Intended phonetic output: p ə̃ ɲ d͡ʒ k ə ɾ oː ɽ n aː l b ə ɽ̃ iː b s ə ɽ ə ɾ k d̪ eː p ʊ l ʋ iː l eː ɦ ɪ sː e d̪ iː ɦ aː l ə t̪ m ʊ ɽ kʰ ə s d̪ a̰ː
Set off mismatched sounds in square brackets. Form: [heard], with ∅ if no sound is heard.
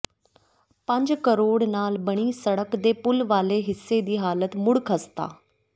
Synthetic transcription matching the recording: p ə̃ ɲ d͡ʒ k ə ɾ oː ɽ n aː l b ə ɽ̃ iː [∅] s ə ɽ ə [∅] k d̪ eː p ʊ l ʋ [aː] l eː ɦ ɪ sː e d̪ iː ɦ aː l ə t̪ m ʊ ɽ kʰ ə s [t̪] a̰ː